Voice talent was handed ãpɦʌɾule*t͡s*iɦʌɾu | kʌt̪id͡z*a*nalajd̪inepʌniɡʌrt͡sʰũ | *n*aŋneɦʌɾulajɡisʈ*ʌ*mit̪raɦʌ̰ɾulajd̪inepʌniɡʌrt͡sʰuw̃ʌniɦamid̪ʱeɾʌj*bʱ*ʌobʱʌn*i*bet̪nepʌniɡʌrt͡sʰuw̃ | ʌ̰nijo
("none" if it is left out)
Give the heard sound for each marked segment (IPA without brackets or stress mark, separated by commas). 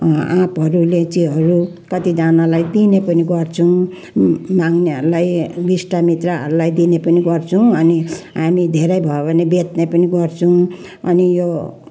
t͡s, a, m, a, bʱ, e